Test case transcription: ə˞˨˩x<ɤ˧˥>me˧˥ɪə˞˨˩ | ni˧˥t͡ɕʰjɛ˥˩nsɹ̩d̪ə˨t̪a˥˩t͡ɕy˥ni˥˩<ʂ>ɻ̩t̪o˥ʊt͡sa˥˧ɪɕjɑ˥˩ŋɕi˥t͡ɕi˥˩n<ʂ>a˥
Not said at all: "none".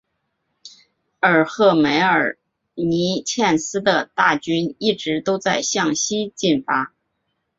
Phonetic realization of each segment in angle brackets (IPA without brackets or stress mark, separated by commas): ɤ˥˩, ʈ͡ʂ, f